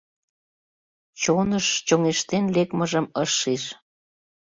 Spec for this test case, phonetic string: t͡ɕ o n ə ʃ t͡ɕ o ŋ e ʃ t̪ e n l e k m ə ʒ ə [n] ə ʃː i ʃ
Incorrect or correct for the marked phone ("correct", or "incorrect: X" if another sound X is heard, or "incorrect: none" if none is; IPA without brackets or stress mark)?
incorrect: m